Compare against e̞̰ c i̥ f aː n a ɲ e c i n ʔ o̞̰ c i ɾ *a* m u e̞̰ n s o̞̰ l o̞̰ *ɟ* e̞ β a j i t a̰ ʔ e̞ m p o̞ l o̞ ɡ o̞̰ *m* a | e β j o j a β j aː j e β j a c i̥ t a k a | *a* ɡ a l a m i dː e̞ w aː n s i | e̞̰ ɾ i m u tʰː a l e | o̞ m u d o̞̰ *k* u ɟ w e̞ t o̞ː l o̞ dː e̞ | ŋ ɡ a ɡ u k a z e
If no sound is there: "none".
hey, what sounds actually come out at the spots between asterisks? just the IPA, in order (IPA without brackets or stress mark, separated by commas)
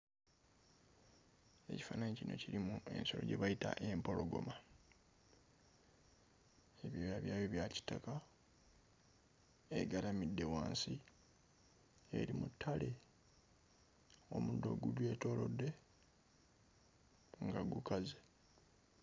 i, ɟ, m, e, ɡ